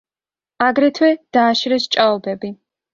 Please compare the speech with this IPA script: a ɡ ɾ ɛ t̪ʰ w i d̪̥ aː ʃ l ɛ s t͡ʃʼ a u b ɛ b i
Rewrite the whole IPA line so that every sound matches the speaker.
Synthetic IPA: a ɡ ɾ ɛ t̪ʰ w ɛ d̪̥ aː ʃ ɾ ɛ s t͡ʃʼ a ɔ b ɛ b i